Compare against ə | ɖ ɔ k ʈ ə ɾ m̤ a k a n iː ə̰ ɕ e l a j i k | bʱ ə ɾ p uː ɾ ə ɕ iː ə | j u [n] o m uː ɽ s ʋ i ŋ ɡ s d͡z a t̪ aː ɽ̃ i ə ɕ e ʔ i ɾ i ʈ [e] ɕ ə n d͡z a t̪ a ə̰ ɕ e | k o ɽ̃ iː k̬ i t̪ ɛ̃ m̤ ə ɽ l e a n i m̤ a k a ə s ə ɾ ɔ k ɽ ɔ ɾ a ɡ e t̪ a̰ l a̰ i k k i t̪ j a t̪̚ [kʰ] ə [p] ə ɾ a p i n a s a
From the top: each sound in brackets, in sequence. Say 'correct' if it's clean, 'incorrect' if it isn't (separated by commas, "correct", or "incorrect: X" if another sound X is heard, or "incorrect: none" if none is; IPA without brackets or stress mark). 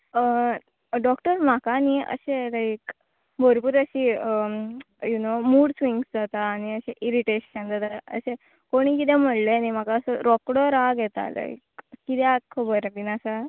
correct, correct, correct, incorrect: b